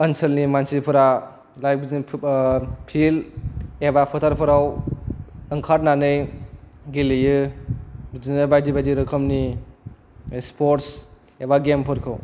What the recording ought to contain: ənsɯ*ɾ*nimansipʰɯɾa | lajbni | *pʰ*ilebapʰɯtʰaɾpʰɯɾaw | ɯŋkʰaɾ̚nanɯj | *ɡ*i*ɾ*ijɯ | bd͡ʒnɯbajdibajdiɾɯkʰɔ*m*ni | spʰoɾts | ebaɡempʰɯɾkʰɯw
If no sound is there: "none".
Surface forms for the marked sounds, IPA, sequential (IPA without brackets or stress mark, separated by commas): l, pʰ, ɡ, l, m